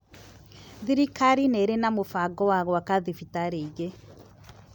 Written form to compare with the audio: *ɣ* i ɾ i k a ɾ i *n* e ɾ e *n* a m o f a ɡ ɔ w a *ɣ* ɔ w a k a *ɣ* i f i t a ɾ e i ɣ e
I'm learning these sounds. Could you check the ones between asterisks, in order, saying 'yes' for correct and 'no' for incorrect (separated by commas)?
no, yes, yes, yes, no